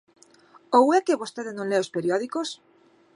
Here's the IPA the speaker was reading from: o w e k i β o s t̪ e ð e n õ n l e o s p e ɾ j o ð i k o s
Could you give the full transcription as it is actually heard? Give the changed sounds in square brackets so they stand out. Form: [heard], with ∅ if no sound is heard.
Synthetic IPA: o w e k [e] β o s t̪ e ð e n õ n l e o s p e ɾ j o ð i k o s